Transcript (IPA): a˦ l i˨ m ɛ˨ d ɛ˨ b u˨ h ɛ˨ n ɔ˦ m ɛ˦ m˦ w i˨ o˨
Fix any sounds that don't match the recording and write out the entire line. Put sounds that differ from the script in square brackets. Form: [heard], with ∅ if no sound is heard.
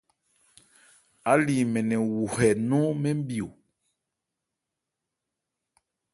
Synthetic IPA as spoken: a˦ l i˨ m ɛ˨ [n] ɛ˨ [w] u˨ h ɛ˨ n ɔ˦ m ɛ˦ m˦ [b] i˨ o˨